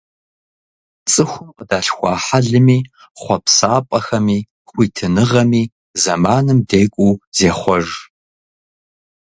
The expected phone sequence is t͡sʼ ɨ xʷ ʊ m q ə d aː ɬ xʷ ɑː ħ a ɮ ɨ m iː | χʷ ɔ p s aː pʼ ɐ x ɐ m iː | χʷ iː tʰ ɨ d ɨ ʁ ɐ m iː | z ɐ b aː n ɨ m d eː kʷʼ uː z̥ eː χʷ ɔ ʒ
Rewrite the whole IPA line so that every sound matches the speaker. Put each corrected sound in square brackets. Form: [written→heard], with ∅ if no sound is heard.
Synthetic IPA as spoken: t͡sʼ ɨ xʷ ʊ m q ə d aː ɬ xʷ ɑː ħ a ɮ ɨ m iː | χʷ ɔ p s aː pʼ ɐ x ɐ m iː | χʷ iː tʰ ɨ [d→n] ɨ ʁ ɐ m iː | z ɐ [b→m] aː n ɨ m d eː kʷʼ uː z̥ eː χʷ ɔ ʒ